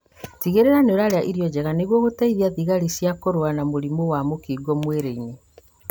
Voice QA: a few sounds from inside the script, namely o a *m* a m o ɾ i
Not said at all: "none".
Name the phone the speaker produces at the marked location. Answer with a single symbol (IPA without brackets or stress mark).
n